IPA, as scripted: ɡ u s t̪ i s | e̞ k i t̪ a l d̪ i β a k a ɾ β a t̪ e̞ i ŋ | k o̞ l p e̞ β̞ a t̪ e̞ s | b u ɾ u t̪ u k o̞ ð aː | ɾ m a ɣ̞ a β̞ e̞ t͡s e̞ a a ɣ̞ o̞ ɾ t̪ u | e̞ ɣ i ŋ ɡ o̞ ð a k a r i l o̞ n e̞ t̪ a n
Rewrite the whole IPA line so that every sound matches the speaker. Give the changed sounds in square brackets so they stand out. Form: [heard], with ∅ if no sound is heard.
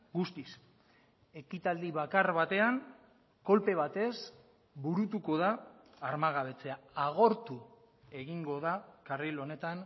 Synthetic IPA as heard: ɡ u s t̪ i s | e̞ k i t̪ a l d̪ i β a k a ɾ β a t̪ e̞ [a] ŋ | k o̞ l p e̞ β̞ a t̪ e̞ s | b u ɾ u t̪ u k o̞ ð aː | ɾ m a ɣ̞ a β̞ e̞ t͡s e̞ a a ɣ̞ o̞ ɾ t̪ u | e̞ ɣ i ŋ ɡ o̞ ð a k a r i l o̞ n e̞ t̪ a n